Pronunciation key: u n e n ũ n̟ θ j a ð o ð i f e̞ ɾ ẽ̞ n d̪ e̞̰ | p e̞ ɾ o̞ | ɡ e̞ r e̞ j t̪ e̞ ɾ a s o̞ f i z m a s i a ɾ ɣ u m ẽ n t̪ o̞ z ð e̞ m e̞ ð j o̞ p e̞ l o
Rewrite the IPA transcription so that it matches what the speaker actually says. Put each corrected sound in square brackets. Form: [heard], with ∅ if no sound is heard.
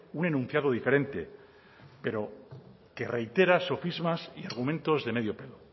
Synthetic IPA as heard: u n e n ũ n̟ θ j a ð o ð i f e̞ ɾ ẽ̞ n [t̪] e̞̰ | p e̞ ɾ o̞ | [k] e̞ r e̞ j t̪ e̞ ɾ a s o̞ f i z m a s i a ɾ ɣ u m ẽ n t̪ o̞ z ð e̞ m e̞ ð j o̞ p e̞ l o